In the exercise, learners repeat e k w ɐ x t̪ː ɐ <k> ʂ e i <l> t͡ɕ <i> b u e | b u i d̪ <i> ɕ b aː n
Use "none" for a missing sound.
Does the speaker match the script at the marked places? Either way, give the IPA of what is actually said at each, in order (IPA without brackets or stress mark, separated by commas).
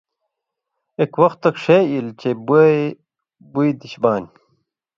k, l, e, i